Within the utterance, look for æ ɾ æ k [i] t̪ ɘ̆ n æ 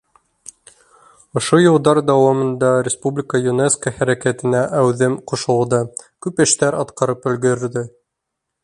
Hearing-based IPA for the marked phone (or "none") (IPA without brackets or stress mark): æ